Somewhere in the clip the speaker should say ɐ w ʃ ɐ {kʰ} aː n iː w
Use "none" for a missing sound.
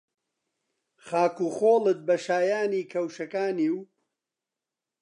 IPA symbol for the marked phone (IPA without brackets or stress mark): k